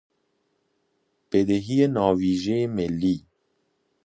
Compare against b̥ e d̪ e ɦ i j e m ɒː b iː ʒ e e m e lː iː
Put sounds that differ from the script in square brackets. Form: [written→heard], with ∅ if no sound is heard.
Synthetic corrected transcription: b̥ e d̪ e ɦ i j e [m→n] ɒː [b→v] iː ʒ e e m e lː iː